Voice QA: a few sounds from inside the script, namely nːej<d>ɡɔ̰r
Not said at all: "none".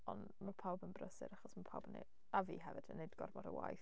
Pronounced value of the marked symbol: d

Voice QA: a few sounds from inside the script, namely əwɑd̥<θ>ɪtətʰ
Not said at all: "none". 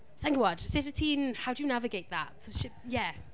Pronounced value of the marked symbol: s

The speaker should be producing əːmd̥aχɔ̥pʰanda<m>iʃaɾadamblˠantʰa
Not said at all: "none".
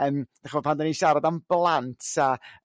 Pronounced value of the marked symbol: n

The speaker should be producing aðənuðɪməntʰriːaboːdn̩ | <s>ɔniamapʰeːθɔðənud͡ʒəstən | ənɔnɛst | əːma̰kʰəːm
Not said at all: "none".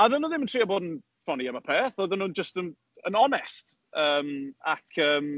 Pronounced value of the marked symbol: f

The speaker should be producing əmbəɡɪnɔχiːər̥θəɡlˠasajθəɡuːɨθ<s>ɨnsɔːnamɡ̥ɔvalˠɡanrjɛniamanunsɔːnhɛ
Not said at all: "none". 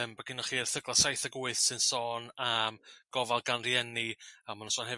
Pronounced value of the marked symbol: s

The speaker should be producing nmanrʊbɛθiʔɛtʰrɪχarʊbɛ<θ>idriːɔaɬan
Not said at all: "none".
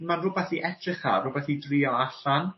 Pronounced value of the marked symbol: θ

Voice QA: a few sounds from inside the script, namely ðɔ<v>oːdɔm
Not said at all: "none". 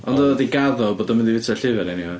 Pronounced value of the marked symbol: b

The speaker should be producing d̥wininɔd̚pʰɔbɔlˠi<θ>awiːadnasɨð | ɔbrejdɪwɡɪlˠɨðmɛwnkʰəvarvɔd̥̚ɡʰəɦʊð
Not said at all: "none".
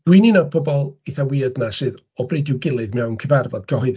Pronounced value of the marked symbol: θ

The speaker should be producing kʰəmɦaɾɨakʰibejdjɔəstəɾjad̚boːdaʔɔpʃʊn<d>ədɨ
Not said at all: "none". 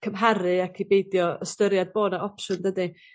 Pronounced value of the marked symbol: d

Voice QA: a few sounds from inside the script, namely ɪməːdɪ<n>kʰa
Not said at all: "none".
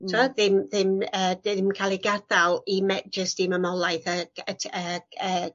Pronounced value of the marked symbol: m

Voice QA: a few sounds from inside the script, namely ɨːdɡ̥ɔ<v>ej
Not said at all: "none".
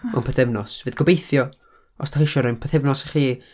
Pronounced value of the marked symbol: b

